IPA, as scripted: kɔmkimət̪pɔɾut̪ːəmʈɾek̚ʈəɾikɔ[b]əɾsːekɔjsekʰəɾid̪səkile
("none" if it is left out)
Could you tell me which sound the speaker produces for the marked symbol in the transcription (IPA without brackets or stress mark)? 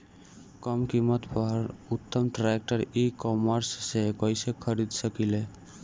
m